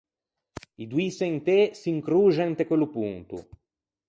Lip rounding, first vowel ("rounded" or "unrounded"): unrounded